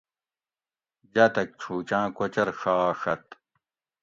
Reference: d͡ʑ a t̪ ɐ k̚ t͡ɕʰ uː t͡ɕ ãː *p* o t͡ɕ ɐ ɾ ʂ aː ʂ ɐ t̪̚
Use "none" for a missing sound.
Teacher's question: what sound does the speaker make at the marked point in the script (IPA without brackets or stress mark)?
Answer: k